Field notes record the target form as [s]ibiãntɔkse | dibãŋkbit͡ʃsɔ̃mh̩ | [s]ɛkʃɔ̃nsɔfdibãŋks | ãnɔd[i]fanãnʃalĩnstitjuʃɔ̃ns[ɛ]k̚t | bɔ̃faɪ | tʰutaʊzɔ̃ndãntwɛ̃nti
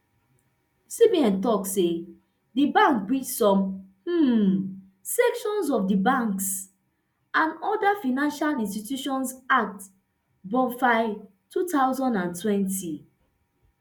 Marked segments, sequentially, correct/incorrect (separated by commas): correct, correct, incorrect, incorrect